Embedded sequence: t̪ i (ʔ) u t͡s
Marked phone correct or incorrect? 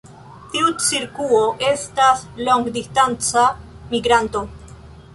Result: incorrect: none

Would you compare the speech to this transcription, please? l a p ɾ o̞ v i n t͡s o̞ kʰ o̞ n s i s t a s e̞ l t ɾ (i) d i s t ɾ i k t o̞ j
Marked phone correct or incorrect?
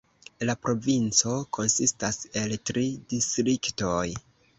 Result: correct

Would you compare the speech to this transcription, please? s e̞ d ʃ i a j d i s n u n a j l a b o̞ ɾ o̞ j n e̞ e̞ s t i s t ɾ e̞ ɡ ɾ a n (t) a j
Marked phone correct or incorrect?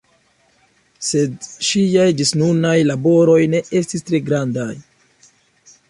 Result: incorrect: d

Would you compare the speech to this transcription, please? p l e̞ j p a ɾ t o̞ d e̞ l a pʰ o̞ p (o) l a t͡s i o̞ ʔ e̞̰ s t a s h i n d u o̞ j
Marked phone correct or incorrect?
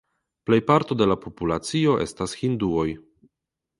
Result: incorrect: u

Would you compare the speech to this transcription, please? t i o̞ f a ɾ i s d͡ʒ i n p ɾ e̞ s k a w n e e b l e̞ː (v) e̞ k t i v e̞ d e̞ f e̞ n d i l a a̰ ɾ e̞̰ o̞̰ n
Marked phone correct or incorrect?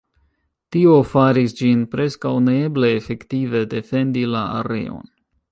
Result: incorrect: f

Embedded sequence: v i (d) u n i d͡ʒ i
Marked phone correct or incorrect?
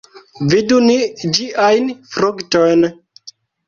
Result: correct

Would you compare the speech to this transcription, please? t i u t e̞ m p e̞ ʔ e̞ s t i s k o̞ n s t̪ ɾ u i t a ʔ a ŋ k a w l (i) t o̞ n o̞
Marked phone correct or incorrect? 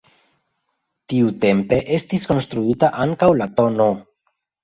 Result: incorrect: a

